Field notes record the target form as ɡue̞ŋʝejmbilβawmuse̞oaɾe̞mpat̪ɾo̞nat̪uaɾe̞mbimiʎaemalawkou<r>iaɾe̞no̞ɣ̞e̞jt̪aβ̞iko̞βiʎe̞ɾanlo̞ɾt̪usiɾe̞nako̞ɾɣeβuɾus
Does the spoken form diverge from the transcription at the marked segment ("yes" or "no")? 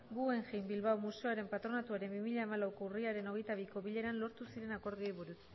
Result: no